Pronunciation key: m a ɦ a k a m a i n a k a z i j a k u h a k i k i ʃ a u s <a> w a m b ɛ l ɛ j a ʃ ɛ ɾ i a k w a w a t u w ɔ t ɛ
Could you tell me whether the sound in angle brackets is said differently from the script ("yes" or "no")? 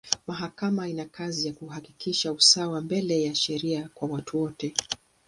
no